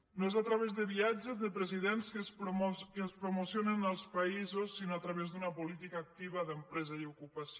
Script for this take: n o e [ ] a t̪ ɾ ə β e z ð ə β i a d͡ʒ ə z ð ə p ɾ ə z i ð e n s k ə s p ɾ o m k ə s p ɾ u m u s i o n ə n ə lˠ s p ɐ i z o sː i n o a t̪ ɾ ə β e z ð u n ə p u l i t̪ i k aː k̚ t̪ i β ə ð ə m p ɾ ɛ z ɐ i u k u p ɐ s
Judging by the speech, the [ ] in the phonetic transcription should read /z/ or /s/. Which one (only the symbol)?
z